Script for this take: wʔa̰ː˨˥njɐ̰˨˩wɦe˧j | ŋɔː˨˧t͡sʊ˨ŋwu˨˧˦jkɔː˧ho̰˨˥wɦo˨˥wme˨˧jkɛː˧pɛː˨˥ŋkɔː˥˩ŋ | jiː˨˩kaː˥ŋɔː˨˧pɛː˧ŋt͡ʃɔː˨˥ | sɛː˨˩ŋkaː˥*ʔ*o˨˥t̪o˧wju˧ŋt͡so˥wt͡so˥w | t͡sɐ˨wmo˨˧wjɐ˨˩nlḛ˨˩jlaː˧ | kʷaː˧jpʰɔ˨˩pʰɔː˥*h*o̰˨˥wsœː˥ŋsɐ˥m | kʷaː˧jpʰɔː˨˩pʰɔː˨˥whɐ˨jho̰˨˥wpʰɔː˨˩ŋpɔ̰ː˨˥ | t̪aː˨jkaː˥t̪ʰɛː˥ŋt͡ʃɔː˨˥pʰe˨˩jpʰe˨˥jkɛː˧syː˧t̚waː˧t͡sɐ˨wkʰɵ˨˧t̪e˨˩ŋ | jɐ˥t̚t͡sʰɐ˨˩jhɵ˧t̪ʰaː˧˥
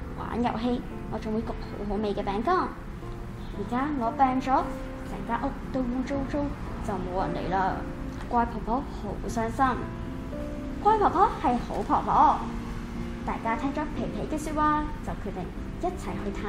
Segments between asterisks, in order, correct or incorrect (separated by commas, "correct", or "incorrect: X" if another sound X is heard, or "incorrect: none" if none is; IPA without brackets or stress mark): correct, correct